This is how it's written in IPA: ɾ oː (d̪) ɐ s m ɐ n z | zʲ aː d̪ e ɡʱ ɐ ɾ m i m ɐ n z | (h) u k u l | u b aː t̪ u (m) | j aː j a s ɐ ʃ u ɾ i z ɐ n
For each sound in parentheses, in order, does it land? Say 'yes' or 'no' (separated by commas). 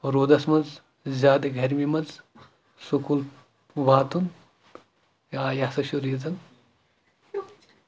yes, no, no